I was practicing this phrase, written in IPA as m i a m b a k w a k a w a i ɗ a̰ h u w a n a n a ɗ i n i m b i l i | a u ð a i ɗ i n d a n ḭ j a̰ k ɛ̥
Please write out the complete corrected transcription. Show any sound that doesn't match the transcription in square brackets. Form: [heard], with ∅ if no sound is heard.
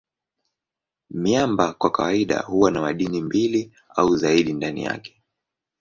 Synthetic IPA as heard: m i a m b a k w a k a w a i ɗ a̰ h u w a n a [m] a ɗ i n i m b i l i | a u [z] a i ɗ i n d a n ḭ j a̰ k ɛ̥